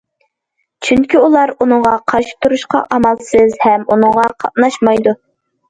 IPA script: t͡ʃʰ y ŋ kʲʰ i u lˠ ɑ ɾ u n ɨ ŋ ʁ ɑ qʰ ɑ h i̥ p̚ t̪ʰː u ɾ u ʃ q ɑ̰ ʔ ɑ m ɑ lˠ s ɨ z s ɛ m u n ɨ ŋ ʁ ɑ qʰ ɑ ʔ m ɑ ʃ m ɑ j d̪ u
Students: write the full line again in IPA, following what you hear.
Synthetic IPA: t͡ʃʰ y ŋ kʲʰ i u lˠ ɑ ɾ u n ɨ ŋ ʁ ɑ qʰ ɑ ʃ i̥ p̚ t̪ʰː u ɾ u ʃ q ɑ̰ ʔ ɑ m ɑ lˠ s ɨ z h ɛ m u n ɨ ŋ ʁ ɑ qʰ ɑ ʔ n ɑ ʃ m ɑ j d̪ u